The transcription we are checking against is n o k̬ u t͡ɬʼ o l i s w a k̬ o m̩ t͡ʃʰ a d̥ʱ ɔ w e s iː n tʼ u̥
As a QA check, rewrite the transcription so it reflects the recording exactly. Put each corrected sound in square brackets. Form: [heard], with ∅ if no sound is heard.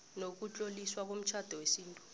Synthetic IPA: n o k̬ u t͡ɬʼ o l i s w a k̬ o m̩ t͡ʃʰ a d̥ʱ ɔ w e s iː n tʼ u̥